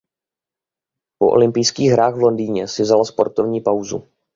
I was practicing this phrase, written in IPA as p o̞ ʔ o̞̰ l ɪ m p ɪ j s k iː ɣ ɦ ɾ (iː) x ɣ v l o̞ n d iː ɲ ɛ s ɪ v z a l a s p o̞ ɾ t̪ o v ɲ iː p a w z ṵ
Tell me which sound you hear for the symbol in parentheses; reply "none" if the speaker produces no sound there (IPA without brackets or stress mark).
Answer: aː